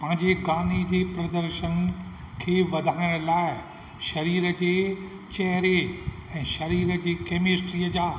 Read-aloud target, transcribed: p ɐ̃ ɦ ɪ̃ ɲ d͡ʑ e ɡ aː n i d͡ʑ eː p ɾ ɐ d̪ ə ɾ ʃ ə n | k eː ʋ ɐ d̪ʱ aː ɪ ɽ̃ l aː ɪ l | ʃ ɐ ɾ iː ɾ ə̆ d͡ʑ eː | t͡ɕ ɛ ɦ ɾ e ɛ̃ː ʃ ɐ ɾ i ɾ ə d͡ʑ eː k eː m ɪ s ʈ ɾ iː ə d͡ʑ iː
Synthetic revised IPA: p ɐ̃ ɦ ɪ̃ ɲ d͡ʑ e ɡ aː n i d͡ʑ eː p ɾ ɐ d̪ ə ɾ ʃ ə n | kʰ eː ʋ ɐ d̪ʱ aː ɪ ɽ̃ l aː ɪ | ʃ ɐ ɾ iː ɾ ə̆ d͡ʑ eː | t͡ɕ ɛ ɦ ɾ e ɛ̃ː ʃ ɐ ɾ iː ɾ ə d͡ʑ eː k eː m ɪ s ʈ ɾ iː ə d͡ʑ aː